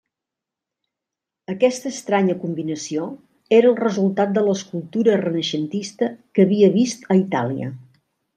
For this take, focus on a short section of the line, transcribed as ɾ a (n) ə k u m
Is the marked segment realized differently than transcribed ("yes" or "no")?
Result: yes